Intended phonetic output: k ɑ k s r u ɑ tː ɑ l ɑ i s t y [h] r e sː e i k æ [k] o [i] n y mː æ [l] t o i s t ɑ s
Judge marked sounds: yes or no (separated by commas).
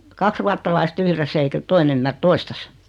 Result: yes, no, yes, no